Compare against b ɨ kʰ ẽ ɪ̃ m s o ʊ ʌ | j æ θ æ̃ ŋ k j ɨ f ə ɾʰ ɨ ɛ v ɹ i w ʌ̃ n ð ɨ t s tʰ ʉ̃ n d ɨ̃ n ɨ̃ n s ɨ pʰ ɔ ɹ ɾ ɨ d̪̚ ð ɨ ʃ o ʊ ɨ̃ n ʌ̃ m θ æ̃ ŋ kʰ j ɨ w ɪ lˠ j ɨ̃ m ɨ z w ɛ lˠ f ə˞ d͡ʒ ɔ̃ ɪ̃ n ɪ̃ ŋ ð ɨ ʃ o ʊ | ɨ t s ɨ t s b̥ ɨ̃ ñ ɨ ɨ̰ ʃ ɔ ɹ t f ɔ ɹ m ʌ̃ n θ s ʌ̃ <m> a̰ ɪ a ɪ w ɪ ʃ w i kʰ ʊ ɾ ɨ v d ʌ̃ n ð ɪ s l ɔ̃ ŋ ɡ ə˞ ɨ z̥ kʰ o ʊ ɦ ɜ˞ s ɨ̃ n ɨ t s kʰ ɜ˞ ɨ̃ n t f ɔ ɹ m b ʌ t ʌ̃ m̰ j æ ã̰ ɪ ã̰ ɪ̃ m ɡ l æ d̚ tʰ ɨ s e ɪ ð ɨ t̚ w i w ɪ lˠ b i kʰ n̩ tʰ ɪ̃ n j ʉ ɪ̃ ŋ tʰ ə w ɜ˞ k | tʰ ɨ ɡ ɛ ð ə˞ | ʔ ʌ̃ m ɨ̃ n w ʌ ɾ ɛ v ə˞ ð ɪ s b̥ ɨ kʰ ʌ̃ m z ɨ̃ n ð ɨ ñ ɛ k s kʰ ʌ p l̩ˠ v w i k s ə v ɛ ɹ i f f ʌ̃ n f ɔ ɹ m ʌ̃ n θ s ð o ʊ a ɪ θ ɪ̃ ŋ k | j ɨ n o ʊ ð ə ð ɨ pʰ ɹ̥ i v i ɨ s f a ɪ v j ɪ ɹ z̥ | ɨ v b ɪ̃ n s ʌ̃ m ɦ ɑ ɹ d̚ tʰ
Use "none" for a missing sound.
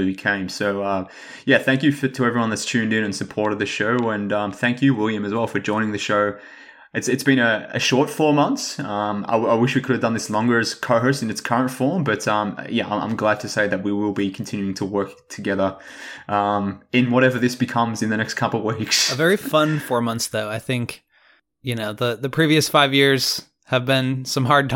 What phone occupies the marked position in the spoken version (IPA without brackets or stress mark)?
m